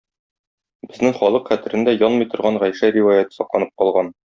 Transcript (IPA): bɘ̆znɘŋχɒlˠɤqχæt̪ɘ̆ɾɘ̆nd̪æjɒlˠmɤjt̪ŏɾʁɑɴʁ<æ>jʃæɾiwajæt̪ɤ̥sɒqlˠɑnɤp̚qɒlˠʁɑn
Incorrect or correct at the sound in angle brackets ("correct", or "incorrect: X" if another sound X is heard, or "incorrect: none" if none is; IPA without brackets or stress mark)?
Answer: correct